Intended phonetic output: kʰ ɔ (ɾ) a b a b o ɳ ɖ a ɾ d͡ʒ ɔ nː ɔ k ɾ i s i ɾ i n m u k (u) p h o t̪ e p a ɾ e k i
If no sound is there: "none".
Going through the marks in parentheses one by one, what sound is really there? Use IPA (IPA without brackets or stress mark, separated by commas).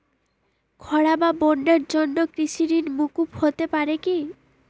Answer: ɽ, u